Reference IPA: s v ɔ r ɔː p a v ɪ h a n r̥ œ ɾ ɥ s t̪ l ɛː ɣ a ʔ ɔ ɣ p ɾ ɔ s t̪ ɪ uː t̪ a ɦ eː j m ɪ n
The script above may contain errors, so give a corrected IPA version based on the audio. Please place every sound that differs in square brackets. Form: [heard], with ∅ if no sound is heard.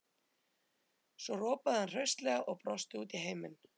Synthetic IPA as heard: s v ɔ r ɔː p a [ð] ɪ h a n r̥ œ [∅] ɥ s t̪ l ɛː ɣ a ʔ ɔ ɣ p ɾ ɔ s t̪ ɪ uː t̪ [i] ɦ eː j m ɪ n